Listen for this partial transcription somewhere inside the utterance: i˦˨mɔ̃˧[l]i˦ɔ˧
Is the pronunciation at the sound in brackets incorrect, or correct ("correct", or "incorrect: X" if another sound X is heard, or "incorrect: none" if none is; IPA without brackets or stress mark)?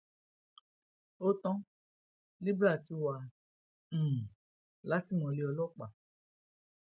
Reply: correct